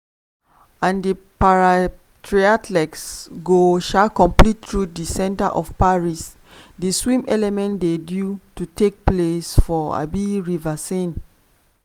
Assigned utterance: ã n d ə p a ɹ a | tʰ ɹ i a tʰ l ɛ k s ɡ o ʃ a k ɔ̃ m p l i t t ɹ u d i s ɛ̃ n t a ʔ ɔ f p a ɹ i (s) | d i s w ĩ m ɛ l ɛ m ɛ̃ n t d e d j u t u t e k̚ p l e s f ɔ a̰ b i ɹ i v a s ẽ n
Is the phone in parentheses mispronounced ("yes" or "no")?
no